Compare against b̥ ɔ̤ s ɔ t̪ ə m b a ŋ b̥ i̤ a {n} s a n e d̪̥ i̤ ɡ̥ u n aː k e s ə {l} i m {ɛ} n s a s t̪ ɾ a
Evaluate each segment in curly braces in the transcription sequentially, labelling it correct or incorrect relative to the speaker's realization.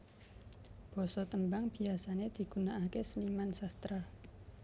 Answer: incorrect: none, correct, incorrect: a

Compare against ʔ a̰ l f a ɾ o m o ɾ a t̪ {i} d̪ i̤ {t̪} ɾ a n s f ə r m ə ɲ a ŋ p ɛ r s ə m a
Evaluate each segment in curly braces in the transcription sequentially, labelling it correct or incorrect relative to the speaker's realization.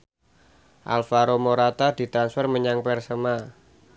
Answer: incorrect: a, correct

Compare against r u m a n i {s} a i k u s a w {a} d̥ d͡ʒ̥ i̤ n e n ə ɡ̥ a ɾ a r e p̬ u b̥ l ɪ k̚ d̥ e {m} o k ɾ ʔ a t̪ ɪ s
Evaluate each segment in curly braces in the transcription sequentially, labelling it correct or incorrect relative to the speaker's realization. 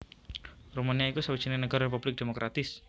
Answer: incorrect: none, incorrect: i, correct

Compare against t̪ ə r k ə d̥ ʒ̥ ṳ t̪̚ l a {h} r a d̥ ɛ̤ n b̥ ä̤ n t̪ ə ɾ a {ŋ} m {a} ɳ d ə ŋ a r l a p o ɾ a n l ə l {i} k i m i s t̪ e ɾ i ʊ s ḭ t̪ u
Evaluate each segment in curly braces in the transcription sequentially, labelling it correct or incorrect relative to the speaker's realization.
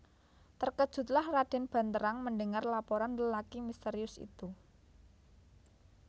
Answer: correct, correct, incorrect: ə, incorrect: a

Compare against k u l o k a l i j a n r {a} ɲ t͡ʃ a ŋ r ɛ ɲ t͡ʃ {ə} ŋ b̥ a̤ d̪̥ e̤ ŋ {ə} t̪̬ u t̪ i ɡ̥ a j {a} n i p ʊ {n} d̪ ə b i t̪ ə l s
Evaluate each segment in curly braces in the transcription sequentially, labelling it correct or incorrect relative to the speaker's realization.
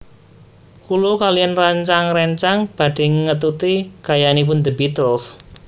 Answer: correct, incorrect: a, correct, correct, correct

